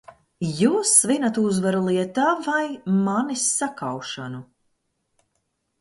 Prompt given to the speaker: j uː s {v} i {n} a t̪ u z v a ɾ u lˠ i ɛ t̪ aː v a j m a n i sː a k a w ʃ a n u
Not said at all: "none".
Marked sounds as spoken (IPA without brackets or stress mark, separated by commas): v, n